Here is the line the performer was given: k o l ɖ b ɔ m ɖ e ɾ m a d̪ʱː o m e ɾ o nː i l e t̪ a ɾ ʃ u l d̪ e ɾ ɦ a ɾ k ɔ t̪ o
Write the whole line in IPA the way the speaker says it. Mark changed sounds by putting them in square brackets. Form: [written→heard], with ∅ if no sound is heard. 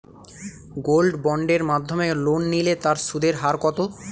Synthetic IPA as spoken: [k→ɡ] o l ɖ b ɔ [m→ɳ] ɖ e ɾ m a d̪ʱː o m e [ɾ→l] o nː i l e t̪ a ɾ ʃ u [l→∅] d̪ e ɾ ɦ a ɾ k ɔ t̪ o